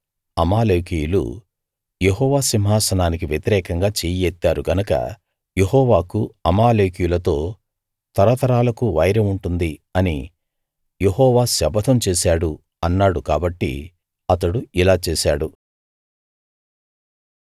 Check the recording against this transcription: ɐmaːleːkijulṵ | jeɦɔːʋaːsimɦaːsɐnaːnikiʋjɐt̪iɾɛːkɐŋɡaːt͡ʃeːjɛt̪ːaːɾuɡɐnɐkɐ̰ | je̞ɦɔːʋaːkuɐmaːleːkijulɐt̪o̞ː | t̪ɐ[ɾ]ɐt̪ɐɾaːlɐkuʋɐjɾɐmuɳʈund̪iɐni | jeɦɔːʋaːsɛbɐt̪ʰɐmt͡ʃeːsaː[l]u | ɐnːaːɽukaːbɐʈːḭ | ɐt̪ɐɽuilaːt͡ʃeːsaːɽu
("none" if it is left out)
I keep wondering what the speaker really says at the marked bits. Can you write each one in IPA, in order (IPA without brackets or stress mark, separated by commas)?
ɾ, ɽ